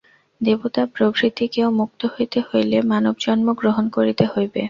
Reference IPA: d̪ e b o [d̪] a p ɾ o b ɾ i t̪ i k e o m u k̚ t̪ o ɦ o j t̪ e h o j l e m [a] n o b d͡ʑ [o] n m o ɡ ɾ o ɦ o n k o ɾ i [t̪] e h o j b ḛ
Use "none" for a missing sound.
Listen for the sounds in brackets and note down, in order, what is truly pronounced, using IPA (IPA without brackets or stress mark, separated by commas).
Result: t̪, a, ɔ, t̪